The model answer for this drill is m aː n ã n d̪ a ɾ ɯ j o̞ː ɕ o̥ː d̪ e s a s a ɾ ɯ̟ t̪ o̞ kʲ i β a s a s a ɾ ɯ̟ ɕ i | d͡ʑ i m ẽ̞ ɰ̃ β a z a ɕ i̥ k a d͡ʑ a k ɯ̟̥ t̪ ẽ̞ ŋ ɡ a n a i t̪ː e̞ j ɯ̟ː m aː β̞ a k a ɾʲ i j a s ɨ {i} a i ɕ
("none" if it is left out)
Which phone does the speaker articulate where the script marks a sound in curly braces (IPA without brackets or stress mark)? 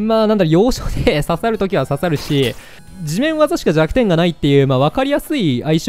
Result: i